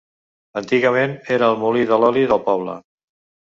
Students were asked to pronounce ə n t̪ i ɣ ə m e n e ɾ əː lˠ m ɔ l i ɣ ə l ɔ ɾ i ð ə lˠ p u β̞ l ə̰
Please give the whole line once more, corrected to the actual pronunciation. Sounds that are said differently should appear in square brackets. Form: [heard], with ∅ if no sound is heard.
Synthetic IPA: ə n t̪ i ɣ ə m e n e ɾ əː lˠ m [u] l i [ð] ə l ɔ [l] i ð ə lˠ p [ɔ] β̞ l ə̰